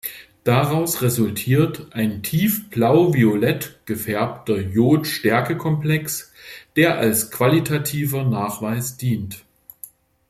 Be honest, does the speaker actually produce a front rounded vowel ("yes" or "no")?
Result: no